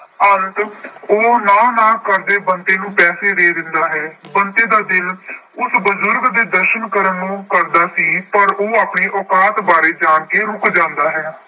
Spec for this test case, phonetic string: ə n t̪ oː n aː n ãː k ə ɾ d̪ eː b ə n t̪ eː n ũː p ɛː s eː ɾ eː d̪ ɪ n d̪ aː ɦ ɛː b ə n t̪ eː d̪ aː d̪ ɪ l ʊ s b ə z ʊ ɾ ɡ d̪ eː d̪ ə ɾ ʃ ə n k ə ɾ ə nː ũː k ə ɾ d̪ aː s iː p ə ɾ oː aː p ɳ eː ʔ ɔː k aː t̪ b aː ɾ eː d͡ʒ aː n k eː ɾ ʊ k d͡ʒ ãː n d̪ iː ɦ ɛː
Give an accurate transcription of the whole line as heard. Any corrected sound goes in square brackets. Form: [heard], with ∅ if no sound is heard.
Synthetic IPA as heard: ə n t̪ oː n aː n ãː k ə ɾ d̪ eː b ə n t̪ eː n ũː p ɛː s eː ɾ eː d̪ ɪ n d̪ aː ɦ ɛː b ə n t̪ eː d̪ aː d̪ ɪ l ʊ s b ə z ʊ ɾ ɡ d̪ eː d̪ ə ɾ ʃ ə n k ə ɾ ə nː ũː k ə ɾ d̪ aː s iː p ə ɾ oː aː p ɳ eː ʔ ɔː k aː t̪ b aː ɾ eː d͡ʒ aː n k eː ɾ ʊ k d͡ʒ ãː n d̪ [aː] ɦ ɛː

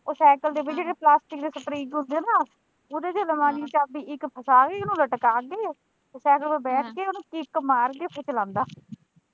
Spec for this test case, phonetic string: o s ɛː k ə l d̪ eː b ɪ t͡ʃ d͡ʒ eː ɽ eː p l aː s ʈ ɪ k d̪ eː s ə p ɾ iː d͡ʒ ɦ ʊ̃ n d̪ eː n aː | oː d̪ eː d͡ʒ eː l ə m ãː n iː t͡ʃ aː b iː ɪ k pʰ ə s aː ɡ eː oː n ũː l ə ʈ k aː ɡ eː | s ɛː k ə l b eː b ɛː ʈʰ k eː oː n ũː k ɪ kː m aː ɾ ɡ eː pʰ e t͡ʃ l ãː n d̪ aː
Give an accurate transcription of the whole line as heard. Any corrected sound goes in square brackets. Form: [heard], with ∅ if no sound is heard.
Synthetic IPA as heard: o s ɛː k ə l d̪ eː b ɪ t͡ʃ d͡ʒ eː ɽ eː p l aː s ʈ ɪ k d̪ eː s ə p ɾ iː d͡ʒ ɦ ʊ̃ n d̪ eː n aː | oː d̪ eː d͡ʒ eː l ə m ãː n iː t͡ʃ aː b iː ɪ k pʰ ə s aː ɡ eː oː n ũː l ə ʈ k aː ɡ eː | s ɛː k ə l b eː b ɛː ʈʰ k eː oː n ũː k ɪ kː m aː ɾ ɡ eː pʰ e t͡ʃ l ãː n d̪ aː

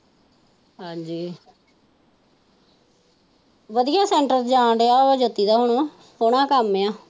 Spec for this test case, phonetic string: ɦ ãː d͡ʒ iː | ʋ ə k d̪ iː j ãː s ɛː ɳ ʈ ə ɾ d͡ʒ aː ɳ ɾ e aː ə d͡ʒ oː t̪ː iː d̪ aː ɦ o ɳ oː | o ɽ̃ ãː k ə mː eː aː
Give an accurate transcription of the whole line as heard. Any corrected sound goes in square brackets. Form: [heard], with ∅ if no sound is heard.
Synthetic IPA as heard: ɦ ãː d͡ʒ iː | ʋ ə [∅] d̪ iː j [aː] s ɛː ɳ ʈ ə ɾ d͡ʒ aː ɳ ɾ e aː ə d͡ʒ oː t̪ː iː d̪ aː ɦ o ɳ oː | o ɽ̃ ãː k ə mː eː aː

